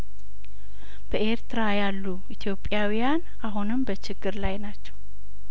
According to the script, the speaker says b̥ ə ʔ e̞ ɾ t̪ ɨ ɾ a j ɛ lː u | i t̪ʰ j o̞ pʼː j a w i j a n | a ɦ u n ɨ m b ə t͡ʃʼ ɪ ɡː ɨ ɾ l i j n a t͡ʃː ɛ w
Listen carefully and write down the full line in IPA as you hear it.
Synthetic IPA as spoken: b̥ ə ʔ e̞ ɾ t̪ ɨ ɾ a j a lː u | i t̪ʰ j o̞ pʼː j a w i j a n | a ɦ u n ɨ m b ə t͡ʃ ɪ ɡː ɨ ɾ l a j n a t͡ʃː ɛ w